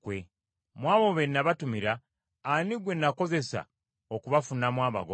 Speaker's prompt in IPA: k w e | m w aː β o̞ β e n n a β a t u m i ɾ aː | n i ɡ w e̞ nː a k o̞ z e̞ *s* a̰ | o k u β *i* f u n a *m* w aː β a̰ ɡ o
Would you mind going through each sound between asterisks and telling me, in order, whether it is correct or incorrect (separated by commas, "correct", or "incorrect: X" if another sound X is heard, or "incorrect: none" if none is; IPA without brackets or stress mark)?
correct, incorrect: a, correct